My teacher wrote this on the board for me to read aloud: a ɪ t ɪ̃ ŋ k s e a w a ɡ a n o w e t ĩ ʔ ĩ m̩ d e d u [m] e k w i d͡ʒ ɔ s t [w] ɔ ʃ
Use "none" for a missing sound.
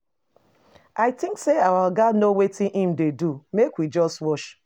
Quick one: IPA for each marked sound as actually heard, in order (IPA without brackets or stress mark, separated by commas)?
m, w